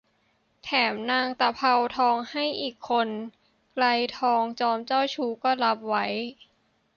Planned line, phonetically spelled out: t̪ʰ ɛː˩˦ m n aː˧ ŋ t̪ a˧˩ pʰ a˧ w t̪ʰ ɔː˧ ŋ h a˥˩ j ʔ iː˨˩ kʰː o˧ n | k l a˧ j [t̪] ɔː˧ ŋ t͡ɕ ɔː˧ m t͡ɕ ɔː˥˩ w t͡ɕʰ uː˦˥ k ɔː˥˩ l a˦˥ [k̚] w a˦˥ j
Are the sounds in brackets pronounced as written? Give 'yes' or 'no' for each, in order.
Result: no, no

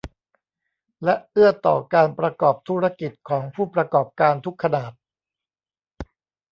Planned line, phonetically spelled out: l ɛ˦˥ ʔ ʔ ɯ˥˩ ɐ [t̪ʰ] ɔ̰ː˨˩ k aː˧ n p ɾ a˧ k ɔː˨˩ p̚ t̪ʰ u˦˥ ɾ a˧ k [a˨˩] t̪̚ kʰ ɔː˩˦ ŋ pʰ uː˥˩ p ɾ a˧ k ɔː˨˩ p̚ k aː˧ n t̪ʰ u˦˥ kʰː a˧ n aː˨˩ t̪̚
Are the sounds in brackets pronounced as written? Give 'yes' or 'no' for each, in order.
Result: no, no

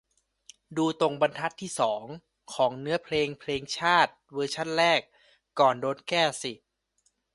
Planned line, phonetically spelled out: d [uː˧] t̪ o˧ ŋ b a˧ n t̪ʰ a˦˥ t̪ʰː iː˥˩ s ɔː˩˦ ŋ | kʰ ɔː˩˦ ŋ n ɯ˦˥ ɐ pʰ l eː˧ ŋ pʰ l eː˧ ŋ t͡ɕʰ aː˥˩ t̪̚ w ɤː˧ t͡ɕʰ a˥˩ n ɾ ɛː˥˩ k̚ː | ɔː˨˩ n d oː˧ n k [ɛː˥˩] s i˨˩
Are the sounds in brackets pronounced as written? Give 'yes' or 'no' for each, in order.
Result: yes, yes

